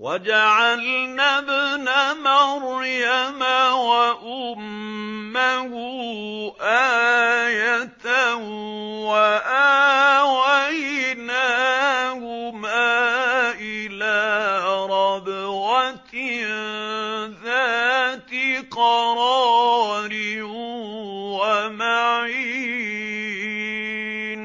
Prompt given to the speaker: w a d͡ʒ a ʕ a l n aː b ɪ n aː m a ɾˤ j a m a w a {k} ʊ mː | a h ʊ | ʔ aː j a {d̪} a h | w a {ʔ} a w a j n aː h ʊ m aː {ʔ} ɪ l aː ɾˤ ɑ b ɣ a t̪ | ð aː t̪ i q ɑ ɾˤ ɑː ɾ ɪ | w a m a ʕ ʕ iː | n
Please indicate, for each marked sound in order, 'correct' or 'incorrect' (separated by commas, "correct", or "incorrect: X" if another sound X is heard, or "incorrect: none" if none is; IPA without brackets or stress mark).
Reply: incorrect: ʔ, incorrect: t̪, correct, correct